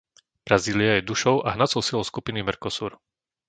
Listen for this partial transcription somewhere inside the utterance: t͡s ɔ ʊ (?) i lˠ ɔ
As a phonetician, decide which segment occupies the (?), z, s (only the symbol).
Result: s